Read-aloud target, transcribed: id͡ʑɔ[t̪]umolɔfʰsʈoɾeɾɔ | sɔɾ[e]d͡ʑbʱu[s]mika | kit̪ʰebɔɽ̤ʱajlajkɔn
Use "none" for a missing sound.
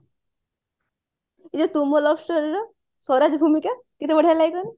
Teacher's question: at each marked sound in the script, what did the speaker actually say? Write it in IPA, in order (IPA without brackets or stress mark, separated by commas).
t̪, a, none